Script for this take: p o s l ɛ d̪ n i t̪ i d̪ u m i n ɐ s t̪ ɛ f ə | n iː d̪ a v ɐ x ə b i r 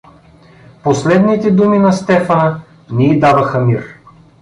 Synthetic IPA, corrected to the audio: p o s l ɛ d̪ n i t̪ ɛ d̪ u m i n ɐ s t̪ ɛ f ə | n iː d̪ a v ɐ x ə m i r